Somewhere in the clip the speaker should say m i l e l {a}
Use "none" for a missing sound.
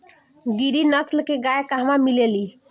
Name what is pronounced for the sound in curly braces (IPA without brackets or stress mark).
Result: i